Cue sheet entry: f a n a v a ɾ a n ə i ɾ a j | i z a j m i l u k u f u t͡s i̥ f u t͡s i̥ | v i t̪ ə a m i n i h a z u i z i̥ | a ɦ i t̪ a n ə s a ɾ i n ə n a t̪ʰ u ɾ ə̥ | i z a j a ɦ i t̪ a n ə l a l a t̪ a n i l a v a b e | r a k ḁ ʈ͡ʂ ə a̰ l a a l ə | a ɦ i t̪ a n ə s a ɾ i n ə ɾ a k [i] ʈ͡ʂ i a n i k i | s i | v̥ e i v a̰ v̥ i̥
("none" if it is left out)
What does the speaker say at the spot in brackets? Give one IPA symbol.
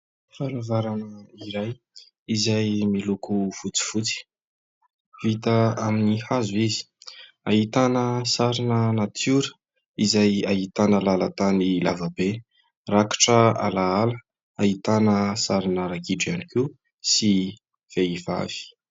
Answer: i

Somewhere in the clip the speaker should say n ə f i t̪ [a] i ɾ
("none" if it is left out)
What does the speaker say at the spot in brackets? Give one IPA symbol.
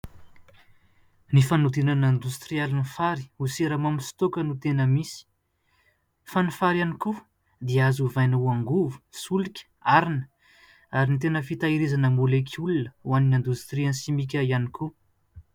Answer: a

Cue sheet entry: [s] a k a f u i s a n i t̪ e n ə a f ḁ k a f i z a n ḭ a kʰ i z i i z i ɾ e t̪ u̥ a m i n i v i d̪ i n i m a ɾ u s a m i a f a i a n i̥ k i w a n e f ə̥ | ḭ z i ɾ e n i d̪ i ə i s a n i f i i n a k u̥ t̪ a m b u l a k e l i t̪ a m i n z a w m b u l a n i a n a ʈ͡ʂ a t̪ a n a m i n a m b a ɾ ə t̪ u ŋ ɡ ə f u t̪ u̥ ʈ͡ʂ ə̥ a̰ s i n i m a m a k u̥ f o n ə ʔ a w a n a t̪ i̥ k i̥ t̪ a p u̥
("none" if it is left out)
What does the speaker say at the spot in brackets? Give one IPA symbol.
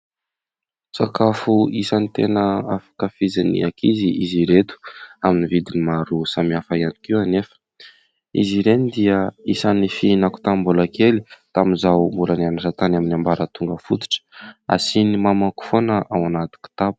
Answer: t͡s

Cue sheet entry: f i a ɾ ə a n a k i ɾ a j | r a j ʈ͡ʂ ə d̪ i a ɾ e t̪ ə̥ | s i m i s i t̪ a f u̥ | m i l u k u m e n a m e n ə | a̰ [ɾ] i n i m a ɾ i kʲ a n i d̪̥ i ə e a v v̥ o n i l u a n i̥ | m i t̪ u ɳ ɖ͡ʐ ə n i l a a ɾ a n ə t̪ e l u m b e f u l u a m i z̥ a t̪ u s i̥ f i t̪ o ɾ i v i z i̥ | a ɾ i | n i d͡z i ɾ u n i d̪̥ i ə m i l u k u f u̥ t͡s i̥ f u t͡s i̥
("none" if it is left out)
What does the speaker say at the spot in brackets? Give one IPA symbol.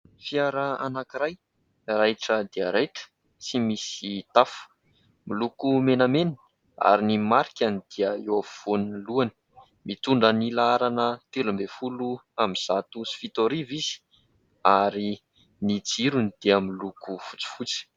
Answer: ɾ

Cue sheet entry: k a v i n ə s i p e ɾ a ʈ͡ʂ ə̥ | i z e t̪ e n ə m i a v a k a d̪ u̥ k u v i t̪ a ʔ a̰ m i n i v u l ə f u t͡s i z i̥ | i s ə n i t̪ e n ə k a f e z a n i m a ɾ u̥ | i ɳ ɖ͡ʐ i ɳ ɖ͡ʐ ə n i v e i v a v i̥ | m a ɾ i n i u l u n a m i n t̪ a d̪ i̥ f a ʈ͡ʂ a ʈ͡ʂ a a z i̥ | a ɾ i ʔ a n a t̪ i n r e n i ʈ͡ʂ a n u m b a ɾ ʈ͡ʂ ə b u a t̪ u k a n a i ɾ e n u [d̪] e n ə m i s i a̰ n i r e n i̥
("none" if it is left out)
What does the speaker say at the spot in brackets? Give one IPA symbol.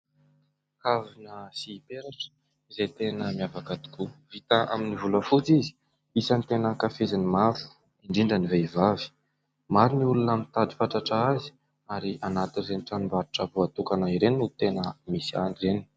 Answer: t̪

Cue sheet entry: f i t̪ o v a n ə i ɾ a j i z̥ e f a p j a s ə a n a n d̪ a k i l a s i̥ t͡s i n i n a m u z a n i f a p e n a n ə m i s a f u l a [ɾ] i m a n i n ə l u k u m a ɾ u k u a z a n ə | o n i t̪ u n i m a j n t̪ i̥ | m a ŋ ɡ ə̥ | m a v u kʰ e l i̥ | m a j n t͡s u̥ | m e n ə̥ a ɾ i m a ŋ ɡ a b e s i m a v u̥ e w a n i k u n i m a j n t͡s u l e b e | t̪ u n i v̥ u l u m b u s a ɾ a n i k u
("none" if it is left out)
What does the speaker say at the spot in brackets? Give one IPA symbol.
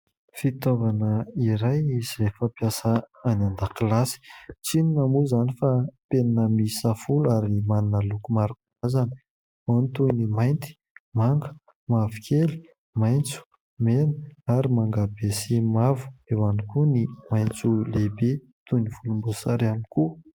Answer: ɾ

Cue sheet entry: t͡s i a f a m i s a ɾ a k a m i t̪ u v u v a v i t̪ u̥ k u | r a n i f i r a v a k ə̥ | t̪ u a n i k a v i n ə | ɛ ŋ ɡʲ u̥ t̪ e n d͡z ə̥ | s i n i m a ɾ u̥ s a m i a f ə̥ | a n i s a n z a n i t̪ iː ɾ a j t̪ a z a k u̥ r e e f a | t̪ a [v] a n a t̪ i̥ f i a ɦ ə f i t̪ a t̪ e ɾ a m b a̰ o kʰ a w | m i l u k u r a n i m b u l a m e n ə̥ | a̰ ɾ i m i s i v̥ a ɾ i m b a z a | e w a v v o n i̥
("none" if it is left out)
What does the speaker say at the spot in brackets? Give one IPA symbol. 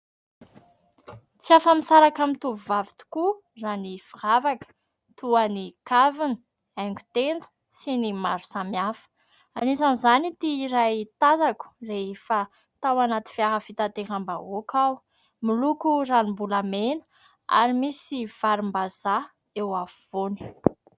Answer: w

